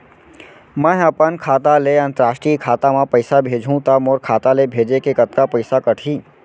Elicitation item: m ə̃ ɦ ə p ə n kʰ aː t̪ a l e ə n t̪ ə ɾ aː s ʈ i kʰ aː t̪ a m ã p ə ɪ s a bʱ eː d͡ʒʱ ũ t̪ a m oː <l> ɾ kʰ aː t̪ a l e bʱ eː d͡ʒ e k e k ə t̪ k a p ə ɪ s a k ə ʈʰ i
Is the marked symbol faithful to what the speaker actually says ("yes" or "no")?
no